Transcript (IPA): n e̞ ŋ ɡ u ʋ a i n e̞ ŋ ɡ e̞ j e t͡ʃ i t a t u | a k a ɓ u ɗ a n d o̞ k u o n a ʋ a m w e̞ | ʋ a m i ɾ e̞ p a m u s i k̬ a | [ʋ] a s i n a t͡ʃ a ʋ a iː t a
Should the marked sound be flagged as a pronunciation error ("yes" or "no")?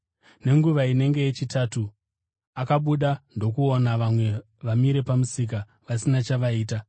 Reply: no